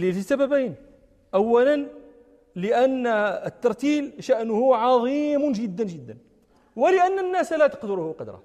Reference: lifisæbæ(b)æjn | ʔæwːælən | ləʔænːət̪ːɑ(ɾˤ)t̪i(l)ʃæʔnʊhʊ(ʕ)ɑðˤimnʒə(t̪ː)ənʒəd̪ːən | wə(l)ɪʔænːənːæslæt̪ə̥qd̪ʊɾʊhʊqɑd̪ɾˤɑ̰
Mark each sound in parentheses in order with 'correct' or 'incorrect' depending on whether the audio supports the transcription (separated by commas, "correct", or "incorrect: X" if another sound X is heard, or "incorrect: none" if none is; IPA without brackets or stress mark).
correct, correct, correct, correct, incorrect: d̪ː, correct